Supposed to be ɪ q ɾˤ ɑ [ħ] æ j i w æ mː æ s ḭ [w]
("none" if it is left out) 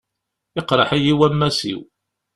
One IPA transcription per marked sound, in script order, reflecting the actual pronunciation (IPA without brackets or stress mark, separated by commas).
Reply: ħ, w